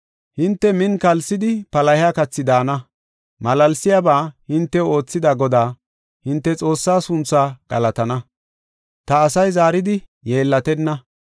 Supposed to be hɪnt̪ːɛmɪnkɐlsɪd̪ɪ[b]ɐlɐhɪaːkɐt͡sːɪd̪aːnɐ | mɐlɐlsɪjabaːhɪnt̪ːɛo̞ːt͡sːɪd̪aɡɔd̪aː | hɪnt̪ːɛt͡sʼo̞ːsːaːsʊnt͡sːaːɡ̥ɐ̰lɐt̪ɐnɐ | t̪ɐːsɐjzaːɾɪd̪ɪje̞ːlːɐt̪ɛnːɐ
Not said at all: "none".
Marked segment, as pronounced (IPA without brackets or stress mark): p